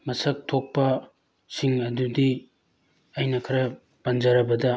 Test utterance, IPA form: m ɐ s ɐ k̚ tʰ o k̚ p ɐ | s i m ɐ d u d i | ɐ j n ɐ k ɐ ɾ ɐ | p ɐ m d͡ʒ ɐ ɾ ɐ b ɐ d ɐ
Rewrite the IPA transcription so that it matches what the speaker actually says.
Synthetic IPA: m ɐ s ɐ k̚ tʰ o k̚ p ɐ | s i ŋ ɐ d u d i | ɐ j n ɐ kʰ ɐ ɾ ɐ | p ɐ n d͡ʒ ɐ ɾ ɐ b ɐ d ɐ